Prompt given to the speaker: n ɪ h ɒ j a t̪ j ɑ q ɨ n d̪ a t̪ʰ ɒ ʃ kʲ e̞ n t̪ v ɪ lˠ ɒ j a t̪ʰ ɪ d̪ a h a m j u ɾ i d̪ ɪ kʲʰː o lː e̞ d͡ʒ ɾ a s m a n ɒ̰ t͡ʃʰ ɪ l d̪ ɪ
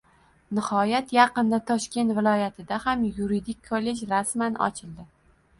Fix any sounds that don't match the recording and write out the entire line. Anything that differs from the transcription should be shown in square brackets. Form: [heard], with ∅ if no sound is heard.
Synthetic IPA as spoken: n ɪ h ɒ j a t̪ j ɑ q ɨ n d̪ a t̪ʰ ɒ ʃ kʲ e̞ n t̪ v ɪ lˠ ɒ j a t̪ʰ ɪ d̪ a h a m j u ɾ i d̪ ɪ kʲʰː o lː e̞ d͡ʒ ɾ a s m a n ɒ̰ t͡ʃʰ ɪ l d̪ ɪ